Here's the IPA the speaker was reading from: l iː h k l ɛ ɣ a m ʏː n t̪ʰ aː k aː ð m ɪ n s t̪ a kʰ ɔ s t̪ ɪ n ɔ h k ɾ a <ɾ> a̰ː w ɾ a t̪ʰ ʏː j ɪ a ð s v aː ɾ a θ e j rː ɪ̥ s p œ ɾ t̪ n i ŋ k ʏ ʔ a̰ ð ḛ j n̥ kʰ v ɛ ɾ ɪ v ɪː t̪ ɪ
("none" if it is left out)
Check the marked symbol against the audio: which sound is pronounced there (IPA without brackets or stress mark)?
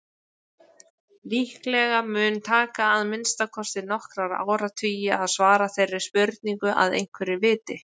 ɾ